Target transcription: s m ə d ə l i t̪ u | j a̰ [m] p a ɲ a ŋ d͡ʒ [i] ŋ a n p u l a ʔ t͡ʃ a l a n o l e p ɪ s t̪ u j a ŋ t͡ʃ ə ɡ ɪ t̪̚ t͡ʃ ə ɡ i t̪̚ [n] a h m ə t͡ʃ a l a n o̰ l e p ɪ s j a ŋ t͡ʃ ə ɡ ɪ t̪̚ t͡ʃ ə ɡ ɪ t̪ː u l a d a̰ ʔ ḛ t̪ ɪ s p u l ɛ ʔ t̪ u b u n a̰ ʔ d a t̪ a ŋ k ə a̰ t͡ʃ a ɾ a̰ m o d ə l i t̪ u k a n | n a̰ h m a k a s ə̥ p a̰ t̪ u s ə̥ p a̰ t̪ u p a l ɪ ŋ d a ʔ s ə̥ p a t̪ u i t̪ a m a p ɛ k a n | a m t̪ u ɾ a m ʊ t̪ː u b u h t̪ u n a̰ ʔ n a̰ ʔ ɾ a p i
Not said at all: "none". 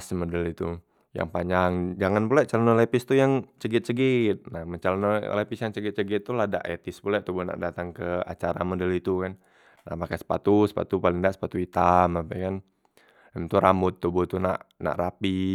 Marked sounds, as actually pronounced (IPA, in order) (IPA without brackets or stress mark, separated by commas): ŋ, a, n